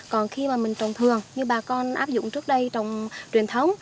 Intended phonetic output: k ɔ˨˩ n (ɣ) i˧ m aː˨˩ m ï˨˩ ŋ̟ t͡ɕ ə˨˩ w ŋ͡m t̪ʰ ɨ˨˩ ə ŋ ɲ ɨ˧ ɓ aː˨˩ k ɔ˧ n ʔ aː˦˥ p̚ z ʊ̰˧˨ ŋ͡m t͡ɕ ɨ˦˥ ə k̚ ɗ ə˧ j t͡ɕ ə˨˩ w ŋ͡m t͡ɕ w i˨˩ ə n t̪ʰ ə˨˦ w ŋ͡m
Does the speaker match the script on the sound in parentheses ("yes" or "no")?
no